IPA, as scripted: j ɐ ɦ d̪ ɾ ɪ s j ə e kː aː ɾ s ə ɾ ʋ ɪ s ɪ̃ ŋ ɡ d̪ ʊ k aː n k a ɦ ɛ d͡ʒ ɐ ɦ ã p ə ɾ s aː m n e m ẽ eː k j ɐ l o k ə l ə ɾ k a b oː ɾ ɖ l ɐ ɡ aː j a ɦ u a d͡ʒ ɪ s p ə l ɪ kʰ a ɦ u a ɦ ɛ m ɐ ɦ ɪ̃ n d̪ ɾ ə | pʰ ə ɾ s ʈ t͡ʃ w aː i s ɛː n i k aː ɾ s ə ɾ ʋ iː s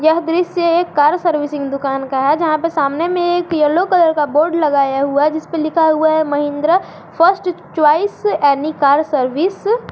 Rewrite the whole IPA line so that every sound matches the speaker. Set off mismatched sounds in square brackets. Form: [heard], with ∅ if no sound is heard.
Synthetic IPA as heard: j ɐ ɦ d̪ ɾ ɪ s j ə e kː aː ɾ s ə ɾ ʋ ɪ s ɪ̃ ŋ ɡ d̪ ʊ k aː n k a ɦ ɛ d͡ʒ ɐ ɦ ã p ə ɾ s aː m n e m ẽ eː k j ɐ l o k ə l ə ɾ k a b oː ɾ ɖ l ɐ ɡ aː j a ɦ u a d͡ʒ ɪ s p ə l ɪ kʰ a ɦ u a ɦ ɛ m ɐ ɦ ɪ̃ n d̪ ɾ ə | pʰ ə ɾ s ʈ t͡ʃ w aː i s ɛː n i k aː ɾ s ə ɾ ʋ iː s